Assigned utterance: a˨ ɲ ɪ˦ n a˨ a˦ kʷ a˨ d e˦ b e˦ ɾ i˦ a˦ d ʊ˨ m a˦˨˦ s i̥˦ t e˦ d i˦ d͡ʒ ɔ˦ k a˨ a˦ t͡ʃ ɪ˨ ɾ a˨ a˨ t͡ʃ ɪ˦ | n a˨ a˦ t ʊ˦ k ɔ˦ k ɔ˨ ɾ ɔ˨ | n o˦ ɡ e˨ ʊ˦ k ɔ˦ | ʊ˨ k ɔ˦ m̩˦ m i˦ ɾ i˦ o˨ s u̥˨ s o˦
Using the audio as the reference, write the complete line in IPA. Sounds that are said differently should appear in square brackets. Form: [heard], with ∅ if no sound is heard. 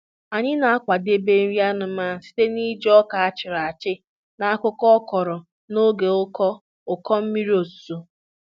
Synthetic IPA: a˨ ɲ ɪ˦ n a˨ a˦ kʷ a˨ d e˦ b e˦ ɾ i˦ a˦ [n] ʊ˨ m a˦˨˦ s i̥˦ t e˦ [n] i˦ d͡ʒ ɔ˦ k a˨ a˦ t͡ʃ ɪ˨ ɾ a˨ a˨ t͡ʃ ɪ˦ | n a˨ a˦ [k] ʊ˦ k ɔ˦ k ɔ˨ ɾ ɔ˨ | n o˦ ɡ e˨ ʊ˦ k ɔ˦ | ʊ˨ k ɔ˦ m̩˦ m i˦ ɾ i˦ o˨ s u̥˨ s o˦

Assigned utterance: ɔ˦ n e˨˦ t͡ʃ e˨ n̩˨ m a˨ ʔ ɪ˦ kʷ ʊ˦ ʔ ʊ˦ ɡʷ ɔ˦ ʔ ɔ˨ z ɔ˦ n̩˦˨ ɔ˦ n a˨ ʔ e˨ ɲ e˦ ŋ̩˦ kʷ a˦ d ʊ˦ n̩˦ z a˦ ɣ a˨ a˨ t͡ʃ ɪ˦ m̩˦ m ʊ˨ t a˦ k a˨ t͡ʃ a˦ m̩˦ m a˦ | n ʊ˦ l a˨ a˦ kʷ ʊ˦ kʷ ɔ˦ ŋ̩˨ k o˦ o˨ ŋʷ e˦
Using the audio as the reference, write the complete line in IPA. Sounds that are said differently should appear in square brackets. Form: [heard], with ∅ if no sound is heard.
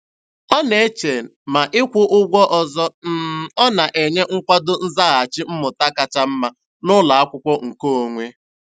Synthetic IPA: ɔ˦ n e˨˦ t͡ʃ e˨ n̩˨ m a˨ ʔ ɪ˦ kʷ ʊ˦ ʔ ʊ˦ ɡʷ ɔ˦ ʔ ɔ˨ z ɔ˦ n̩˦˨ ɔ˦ n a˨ ʔ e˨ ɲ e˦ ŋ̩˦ kʷ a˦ d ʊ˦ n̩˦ z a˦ ɣ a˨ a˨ t͡ʃ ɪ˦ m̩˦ m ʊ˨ t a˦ k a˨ t͡ʃ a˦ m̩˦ m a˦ | n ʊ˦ l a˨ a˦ kʷ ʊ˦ kʷ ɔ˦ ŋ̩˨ k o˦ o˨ ŋʷ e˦

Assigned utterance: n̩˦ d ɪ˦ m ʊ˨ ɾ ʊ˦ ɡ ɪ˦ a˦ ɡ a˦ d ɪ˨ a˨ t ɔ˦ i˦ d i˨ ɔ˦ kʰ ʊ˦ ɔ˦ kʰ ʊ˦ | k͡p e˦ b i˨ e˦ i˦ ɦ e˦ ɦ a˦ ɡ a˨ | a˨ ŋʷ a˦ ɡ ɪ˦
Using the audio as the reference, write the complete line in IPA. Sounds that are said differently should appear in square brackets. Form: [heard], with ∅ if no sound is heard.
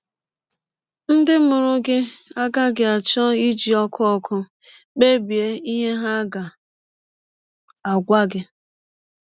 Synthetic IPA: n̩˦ d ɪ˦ m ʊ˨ ɾ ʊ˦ ɡ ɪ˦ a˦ ɡ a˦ [ɡ] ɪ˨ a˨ [t͡ʃ] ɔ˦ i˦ [d͡ʒ] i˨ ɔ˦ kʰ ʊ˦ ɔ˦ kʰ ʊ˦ | k͡p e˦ b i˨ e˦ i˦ ɦ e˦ ɦ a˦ ɡ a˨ | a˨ [ɡʷ] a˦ ɡ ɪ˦

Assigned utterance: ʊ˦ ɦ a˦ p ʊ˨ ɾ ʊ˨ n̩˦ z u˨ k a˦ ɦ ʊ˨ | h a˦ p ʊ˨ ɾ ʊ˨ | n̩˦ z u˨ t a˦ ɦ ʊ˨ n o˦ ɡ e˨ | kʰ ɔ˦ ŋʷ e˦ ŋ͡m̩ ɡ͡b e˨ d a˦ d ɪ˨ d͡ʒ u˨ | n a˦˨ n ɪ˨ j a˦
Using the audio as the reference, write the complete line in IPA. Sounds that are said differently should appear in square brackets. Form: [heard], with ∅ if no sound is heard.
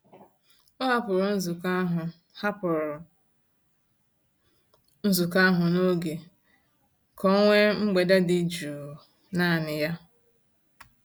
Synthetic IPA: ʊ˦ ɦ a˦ p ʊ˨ ɾ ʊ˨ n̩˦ z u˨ k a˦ ɦ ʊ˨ | h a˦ p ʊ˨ ɾ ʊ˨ | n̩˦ z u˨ [k] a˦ ɦ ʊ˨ n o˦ ɡ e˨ | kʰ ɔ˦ ŋʷ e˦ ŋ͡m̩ ɡ͡b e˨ d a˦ d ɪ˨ d͡ʒ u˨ | n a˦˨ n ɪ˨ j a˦

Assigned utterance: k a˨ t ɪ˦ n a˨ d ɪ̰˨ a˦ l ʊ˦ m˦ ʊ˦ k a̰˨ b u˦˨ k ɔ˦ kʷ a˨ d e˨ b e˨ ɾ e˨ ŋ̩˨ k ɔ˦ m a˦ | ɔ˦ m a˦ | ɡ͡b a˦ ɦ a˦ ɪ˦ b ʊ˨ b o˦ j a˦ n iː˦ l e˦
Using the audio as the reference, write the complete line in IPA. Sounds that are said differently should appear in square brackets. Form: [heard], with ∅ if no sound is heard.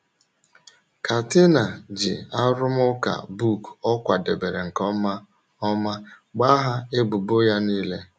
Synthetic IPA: k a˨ t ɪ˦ n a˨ [d͡ʒ] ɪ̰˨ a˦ [ɾ] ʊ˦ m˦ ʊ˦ k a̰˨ b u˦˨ k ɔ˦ kʷ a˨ d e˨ b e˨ ɾ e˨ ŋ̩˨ k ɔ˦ m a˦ | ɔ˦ m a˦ | ɡ͡b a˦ ɦ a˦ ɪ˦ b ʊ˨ b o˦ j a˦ n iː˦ l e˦

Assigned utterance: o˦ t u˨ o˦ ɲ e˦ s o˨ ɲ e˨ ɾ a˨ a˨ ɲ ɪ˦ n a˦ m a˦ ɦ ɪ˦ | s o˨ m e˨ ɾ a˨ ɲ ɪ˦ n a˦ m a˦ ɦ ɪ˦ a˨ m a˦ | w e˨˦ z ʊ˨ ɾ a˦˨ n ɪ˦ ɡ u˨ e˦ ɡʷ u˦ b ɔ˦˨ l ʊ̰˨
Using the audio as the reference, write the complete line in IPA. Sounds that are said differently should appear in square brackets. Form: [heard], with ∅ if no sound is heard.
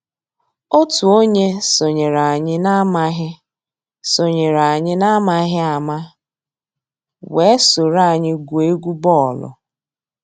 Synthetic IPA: o˦ t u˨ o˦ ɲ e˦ s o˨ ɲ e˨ ɾ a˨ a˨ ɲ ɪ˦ n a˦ m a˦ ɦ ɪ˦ | s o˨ [ɲ] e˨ ɾ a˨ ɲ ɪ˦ n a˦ m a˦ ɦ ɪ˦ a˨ m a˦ | w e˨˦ [s] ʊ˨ ɾ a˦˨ [ɲ] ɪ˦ ɡ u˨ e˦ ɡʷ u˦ b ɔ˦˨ l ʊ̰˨

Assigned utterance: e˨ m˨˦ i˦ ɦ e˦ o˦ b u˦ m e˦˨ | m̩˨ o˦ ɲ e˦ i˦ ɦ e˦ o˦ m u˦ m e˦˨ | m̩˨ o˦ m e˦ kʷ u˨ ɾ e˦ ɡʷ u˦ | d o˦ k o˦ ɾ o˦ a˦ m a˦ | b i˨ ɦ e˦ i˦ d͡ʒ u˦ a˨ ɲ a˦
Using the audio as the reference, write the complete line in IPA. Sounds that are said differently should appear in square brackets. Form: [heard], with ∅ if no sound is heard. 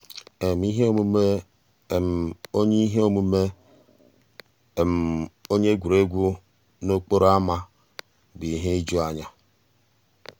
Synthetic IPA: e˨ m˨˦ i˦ ɦ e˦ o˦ [m] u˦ m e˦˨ | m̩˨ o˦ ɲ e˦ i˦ ɦ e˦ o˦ m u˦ m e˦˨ | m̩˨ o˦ [ɲ] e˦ [ɡʷ] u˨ ɾ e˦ ɡʷ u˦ | [n] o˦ [k͡p] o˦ ɾ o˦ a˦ m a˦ | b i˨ ɦ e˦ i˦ d͡ʒ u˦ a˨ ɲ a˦

